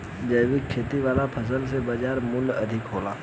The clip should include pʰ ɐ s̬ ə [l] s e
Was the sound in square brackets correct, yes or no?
yes